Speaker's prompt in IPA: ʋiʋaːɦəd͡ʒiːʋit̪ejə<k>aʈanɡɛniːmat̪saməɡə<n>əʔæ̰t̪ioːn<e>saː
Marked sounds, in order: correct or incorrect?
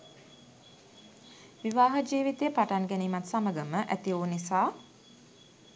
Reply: incorrect, incorrect, incorrect

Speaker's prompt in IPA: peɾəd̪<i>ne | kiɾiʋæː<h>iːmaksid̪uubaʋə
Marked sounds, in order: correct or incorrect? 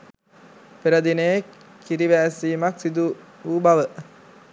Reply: correct, incorrect

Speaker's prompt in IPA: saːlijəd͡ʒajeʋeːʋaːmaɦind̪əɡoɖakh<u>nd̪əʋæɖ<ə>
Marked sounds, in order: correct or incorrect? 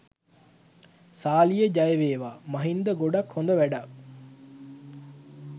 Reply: incorrect, incorrect

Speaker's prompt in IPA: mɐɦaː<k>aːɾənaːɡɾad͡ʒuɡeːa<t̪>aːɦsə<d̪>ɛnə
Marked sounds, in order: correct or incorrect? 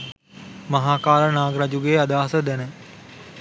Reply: correct, incorrect, correct

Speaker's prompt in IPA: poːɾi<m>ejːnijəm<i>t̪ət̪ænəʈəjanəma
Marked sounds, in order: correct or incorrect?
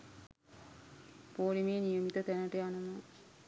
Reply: correct, correct

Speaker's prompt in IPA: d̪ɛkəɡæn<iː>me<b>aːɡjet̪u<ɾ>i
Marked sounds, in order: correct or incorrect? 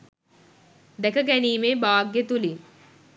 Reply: correct, correct, incorrect

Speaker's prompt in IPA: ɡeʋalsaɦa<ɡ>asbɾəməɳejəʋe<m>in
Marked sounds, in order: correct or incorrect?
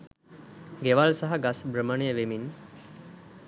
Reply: correct, correct

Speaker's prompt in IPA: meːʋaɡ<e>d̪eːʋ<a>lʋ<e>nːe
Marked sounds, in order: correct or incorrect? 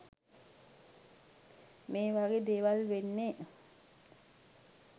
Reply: correct, correct, correct

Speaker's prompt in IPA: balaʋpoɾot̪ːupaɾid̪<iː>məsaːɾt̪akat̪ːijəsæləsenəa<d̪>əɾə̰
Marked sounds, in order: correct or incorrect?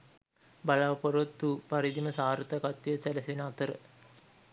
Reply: incorrect, incorrect

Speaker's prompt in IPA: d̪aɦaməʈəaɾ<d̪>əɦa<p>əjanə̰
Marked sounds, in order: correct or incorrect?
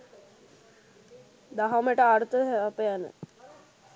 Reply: incorrect, correct

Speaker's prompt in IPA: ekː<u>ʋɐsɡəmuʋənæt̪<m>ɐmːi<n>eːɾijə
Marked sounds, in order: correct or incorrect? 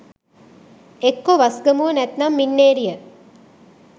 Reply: incorrect, incorrect, incorrect

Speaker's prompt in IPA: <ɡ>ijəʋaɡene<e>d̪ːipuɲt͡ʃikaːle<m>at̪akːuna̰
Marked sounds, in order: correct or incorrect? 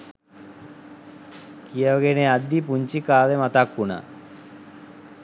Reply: incorrect, incorrect, correct

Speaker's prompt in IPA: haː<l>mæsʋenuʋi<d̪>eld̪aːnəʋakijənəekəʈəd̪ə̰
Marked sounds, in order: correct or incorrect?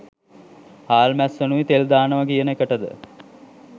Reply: correct, incorrect

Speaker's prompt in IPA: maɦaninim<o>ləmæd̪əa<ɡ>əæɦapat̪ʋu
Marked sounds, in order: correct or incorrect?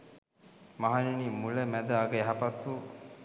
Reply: incorrect, correct

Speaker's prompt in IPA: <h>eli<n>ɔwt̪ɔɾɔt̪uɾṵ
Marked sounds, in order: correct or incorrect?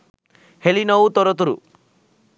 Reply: correct, correct

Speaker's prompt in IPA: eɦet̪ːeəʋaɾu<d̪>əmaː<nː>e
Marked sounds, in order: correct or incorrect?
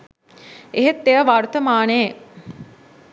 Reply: incorrect, incorrect

